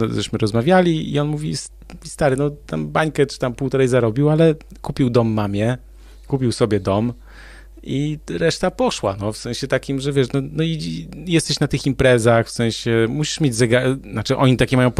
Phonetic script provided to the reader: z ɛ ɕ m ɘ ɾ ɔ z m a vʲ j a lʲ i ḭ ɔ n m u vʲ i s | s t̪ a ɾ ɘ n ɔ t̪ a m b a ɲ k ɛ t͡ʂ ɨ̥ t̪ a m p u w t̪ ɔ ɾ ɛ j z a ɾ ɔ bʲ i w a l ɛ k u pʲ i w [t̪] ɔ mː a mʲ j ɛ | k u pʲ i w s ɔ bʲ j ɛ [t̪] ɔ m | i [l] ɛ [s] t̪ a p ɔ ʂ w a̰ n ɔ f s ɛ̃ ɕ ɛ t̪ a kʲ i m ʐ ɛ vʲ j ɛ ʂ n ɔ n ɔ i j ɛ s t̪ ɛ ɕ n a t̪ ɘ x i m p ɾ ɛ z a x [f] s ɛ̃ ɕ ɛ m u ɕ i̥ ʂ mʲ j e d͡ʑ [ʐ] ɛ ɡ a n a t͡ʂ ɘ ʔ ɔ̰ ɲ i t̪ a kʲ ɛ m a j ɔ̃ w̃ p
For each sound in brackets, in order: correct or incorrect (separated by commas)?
incorrect, incorrect, incorrect, incorrect, correct, incorrect